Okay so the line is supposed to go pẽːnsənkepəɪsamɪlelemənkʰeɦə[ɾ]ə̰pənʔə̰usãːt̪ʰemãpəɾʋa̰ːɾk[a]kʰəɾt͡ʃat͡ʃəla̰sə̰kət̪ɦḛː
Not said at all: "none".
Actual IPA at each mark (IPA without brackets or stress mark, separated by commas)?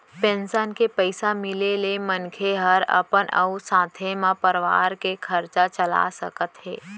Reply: ɾ, e